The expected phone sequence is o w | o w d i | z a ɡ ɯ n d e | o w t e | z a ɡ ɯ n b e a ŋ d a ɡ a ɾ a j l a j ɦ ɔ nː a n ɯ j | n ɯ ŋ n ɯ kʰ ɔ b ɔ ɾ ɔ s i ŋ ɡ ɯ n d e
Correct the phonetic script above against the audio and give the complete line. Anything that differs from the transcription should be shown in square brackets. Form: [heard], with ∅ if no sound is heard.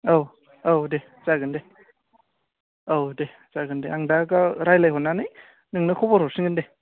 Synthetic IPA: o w | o w d [e] | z a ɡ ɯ n d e | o w [d] e | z a ɡ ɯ n [d] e a ŋ d a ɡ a ɾ a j l a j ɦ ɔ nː a n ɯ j | n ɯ ŋ n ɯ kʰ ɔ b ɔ ɾ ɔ s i ŋ ɡ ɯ n d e